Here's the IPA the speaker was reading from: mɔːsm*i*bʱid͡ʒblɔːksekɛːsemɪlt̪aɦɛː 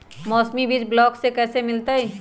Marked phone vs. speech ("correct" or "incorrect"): correct